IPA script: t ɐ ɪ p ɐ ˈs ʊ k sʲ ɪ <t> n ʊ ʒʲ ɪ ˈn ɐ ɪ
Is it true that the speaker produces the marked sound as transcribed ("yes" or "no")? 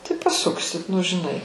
yes